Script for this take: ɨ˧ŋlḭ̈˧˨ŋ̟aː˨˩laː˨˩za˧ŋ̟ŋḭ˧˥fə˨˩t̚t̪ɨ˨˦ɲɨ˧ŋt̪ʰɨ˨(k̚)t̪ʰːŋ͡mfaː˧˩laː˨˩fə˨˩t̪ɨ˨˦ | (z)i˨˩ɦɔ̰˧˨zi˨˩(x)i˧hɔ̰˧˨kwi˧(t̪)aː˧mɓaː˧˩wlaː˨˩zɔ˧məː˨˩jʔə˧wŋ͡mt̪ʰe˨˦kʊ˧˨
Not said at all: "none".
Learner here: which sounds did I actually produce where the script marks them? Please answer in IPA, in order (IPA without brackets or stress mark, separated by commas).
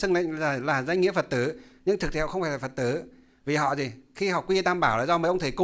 k̚, v, x, t̪